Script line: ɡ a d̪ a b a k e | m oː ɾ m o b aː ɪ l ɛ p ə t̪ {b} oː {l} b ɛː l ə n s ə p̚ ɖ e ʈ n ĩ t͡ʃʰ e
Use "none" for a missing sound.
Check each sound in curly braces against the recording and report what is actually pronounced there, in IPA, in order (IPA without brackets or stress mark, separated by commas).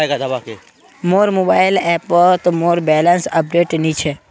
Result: m, ɾ